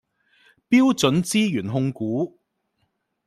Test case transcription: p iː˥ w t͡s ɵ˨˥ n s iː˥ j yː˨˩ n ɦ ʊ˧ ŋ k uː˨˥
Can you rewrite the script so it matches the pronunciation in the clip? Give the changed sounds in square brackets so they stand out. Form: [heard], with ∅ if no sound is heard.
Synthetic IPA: p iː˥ w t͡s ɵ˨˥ n [t͡s] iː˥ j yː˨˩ n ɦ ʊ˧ ŋ k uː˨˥